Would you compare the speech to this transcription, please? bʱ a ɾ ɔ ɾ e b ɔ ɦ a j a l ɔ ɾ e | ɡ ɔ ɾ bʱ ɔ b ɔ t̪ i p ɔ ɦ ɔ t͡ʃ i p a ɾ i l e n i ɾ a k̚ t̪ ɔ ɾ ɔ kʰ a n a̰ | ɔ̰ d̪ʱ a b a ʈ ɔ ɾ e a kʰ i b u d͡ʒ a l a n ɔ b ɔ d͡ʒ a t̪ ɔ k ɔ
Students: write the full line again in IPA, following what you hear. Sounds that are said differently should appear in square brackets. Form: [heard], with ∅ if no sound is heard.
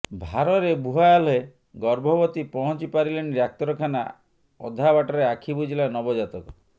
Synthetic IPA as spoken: bʱ a ɾ ɔ ɾ e b [u] ɦ a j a l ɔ [∅] e | ɡ ɔ ɾ bʱ ɔ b ɔ t̪ i p ɔ ɦ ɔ t͡ʃ i p a ɾ i l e n i ɾ a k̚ t̪ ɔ ɾ ɔ kʰ a n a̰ | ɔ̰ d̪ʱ a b a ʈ ɔ ɾ e a kʰ i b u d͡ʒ [i] l a n ɔ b ɔ d͡ʒ a t̪ ɔ k ɔ